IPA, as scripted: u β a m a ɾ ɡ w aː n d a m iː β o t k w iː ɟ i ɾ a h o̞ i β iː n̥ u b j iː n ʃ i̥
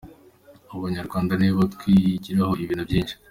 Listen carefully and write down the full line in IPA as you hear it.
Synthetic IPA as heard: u β a ɲ a ɾ ɡ w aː n d a n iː β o t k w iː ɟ i ɾ a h o̞ i β iː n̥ u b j iː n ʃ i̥